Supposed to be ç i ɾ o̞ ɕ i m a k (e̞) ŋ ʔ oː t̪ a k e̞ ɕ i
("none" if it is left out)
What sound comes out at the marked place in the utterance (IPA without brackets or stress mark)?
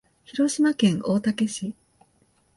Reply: ẽ̞